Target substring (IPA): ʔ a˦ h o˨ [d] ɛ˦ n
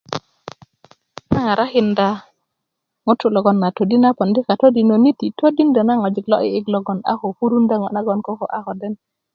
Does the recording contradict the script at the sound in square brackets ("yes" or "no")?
no